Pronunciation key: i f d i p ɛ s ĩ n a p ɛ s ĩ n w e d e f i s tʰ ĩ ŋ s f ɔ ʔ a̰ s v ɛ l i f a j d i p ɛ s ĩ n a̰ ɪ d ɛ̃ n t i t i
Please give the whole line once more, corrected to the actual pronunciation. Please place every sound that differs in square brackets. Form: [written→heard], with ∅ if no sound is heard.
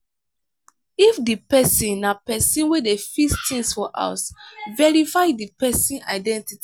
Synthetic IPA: i f d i p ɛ s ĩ n a p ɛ s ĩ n w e d e f i s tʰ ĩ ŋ s f ɔ ʔ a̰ s v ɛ [l→ɹ] i f a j d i p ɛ s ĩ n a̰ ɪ d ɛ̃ n t i t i